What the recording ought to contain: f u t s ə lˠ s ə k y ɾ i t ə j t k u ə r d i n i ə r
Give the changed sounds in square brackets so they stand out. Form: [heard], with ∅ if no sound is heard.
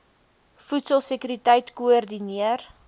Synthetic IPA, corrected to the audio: f u t s ə lˠ s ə k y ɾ i t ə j t k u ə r d i n i ə r